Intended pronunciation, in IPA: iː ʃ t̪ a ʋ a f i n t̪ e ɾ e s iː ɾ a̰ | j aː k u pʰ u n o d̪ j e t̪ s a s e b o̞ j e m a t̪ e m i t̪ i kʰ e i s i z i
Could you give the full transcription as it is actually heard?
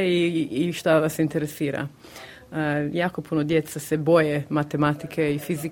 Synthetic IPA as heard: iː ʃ t̪ a ʋ a s i n t̪ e ɾ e s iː ɾ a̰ | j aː k o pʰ u n o d̪ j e t̪ s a s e b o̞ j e m a t̪ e m a t̪ i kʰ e i f i z i